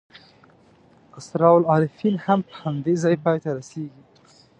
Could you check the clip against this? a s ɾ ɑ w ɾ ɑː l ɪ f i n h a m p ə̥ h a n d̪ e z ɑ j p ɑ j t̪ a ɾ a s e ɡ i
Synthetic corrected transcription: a s ɾ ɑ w l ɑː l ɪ f i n h a m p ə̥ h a n d̪ e z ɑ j p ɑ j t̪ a ɾ a s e ɡ i

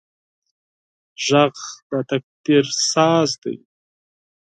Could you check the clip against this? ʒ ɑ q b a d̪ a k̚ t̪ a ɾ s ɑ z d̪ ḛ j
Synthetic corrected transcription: ʒ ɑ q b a t̪ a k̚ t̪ e ɾ s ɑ z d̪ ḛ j

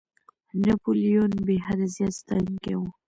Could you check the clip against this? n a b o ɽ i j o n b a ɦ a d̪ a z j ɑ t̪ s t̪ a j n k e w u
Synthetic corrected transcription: n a p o l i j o n b e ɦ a d̪ a z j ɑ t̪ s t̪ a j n k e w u

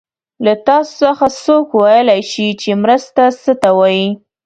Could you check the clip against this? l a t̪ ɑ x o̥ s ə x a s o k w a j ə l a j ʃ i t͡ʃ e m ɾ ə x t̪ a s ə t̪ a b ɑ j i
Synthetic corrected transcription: l a t̪ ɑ s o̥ s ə x a s o k w a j ə l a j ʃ i t͡ʃ e m ɾ ə s t̪ a s ə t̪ a w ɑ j i

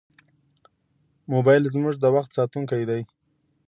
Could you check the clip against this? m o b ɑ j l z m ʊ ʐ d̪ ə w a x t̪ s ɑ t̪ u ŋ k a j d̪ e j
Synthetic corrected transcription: m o b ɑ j l z m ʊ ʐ d̪ ə w a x t̪ s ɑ t̪ u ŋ k a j d̪ a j

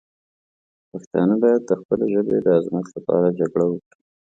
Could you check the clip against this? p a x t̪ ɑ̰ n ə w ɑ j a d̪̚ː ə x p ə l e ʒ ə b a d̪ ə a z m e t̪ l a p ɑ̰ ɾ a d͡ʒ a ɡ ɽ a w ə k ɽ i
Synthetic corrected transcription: p a x t̪ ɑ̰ n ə b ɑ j a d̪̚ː ə x p ə l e ʒ ə b e d̪ ə a z m a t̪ l a p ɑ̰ ɾ a d͡ʒ a ɡ ɽ a w ə k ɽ i

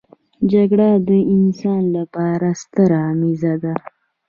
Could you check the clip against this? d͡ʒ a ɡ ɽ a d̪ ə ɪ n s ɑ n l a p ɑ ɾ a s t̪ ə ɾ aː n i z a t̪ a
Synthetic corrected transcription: d͡ʒ a ɡ ɽ a d̪ ə ɪ n s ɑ n l a p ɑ ɾ a s t̪ ə ɾ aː m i z a d̪ a

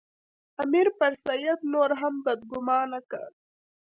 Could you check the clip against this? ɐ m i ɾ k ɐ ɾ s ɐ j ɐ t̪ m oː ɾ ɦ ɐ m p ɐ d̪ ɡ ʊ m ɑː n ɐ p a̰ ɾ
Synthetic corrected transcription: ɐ m i ɾ p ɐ ɾ s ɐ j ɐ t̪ n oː ɾ ɦ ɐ m b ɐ d̪ ɡ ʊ m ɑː n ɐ k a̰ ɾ

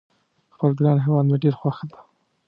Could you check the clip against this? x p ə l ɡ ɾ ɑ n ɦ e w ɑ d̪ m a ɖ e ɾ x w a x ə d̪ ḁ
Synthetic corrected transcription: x p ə l ɡ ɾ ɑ n ɦ e w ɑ d̪ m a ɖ e ɾ x w a x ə d̪ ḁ

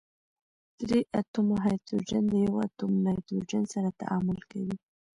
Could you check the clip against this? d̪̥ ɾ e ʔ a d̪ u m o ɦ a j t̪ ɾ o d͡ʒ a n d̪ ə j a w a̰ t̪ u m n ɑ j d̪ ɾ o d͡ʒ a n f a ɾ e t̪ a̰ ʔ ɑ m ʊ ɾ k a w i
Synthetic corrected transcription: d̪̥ ɾ e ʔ a t̪ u m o ɦ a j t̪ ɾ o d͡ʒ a n d̪ ə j a w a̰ t̪ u m n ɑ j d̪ ɾ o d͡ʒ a n s a ɾ a t̪ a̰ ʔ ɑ m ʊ l k a w i

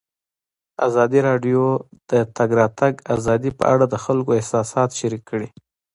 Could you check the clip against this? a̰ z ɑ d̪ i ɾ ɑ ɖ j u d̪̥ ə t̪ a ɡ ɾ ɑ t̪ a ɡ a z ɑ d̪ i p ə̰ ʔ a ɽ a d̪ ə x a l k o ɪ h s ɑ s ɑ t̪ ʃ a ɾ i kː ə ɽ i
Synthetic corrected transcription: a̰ z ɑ d̪ i ɾ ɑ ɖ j o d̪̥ ə t̪ a ɡ ɾ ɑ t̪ a ɡ a z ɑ d̪ i p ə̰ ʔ a ɽ a d̪ ə x a l k o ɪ h s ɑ s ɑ t̪ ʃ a ɾ i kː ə ɽ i

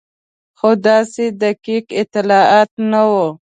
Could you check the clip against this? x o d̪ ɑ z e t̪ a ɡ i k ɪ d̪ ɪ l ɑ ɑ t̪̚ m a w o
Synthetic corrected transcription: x o d̪ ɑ s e d̪ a k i k ɪ t̪ ɪ l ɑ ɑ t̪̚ n a w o

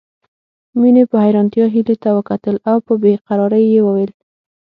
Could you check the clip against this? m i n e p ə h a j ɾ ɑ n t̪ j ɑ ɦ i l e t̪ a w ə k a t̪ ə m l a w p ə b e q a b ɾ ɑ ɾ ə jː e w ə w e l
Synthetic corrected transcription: m i n e p ə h a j ɾ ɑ n t̪ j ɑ ɦ i l e t̪ a w ə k a t̪ ə l a w p ə b e q a ɾ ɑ ɾ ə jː e w ə w e l

